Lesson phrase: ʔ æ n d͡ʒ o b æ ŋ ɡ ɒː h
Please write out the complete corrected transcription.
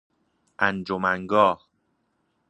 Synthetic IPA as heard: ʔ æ n d͡ʒ o m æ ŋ ɡ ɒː h